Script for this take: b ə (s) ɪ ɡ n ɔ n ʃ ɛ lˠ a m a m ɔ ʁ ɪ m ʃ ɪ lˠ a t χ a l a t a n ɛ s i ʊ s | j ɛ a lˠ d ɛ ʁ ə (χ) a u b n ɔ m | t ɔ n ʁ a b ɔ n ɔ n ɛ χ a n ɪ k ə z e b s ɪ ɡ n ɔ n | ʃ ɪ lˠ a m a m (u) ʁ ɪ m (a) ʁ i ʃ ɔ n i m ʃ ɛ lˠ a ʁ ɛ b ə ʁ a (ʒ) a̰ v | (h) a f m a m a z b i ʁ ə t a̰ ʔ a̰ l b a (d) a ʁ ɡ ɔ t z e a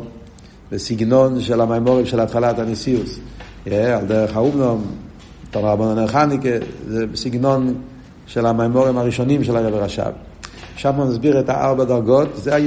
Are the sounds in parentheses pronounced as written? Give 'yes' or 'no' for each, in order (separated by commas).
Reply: yes, yes, no, yes, no, no, yes